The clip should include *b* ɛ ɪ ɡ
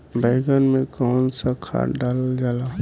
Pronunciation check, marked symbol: correct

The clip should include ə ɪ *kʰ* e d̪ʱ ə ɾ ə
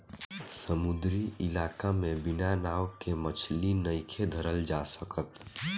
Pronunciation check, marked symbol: correct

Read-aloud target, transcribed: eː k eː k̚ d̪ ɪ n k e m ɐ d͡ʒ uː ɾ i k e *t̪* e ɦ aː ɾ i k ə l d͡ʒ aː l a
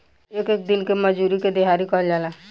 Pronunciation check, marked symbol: incorrect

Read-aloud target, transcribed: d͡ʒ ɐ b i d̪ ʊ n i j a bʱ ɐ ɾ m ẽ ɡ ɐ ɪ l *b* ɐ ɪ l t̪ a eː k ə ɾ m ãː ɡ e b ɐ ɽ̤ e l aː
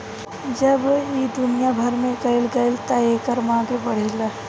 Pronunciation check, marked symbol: incorrect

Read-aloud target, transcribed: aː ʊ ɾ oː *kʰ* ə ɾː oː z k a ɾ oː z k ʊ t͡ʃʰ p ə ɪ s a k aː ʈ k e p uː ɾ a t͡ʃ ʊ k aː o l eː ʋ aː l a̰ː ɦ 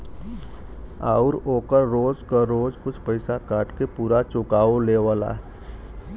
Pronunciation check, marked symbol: incorrect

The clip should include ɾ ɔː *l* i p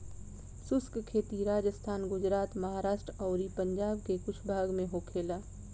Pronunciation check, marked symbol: incorrect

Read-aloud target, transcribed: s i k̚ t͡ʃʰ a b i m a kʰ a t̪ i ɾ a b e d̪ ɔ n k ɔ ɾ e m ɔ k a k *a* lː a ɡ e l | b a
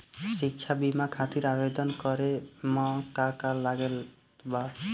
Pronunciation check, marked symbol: correct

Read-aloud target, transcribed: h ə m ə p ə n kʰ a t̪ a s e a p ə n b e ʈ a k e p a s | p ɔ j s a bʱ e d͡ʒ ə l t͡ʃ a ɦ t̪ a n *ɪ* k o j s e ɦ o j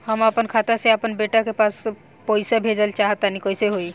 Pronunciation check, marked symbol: incorrect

